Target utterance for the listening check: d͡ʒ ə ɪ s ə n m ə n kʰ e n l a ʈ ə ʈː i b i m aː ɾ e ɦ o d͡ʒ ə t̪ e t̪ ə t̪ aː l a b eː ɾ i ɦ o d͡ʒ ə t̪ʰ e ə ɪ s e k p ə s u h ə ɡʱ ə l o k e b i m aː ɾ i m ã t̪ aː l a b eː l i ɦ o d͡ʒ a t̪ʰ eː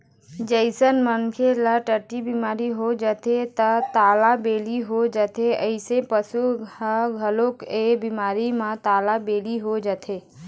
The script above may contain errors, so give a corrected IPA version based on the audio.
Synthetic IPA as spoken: d͡ʒ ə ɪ s ə n m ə n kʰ e l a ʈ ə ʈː i b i m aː ɾ i ɦ o d͡ʒ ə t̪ e t̪ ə t̪ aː l a b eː l i ɦ o d͡ʒ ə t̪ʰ e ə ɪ s e p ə s u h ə ɡʱ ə l o k e b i m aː ɾ i m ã t̪ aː l a b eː l i ɦ o d͡ʒ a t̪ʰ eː